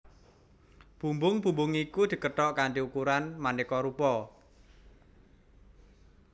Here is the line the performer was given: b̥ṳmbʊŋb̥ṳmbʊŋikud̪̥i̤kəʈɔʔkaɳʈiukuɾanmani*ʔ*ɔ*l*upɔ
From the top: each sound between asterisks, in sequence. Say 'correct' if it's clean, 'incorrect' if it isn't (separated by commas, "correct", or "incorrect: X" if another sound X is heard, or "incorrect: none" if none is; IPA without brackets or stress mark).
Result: incorrect: k, incorrect: ɾ